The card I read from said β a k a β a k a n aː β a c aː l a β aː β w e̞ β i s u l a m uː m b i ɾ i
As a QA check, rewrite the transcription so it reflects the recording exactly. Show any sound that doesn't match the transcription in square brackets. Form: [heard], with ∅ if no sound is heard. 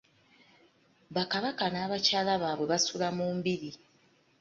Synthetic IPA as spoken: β a k a β a k a n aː β a c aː l a β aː β w e̞ β [a] s u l a m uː m b i ɾ i